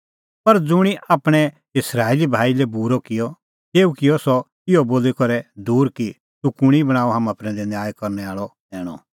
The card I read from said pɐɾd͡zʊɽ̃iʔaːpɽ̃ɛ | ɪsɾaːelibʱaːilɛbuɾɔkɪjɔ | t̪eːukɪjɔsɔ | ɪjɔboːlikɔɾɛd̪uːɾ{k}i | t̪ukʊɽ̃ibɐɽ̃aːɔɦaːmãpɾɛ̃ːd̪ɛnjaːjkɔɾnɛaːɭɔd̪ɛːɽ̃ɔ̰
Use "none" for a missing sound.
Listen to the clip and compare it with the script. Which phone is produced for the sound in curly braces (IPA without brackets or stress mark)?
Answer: k